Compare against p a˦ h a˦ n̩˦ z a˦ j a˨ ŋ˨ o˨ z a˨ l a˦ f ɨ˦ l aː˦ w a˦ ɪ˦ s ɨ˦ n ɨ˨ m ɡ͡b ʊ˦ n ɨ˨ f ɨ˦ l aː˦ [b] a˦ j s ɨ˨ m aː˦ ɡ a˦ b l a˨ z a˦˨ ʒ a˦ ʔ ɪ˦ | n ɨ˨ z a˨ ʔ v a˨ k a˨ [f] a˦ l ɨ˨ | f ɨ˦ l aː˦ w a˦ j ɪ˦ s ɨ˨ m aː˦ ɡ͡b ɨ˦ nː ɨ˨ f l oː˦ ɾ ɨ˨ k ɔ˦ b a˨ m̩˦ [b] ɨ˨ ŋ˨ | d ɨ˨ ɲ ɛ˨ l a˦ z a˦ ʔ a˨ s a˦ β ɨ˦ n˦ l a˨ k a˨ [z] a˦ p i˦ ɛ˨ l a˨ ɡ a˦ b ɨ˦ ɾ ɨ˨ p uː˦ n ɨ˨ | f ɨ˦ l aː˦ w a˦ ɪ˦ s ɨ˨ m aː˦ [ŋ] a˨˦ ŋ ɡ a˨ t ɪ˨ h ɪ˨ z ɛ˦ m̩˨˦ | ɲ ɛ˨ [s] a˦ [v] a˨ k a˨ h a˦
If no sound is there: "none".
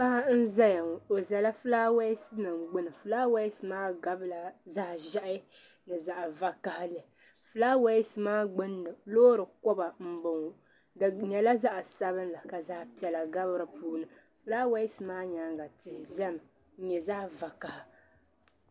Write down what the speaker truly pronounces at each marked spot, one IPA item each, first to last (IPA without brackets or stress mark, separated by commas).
w, h, b, z, ɲ, z, v